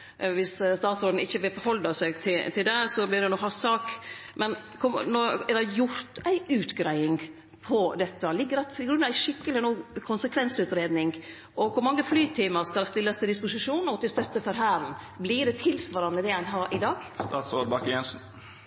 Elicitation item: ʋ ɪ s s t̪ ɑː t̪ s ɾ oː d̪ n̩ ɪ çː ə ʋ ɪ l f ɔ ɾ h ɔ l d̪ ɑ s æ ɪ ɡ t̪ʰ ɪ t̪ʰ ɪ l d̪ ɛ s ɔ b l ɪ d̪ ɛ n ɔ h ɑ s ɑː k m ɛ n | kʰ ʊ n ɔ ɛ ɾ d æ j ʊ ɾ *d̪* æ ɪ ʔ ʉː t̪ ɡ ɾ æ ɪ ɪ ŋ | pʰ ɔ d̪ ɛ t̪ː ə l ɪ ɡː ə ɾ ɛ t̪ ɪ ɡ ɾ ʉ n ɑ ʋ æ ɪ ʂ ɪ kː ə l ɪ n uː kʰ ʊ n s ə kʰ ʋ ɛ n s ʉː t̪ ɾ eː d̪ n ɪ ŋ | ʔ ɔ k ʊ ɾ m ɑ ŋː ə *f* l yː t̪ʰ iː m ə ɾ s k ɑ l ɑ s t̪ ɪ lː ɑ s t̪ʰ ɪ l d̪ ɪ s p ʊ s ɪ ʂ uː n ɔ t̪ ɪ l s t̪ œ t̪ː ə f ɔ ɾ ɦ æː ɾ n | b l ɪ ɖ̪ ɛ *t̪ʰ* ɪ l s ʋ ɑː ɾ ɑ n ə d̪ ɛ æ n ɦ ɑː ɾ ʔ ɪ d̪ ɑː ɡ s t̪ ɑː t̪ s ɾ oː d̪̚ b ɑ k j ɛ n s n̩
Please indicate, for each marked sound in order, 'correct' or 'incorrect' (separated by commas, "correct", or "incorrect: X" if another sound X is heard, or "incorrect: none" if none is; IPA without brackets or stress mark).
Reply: incorrect: t̪, correct, correct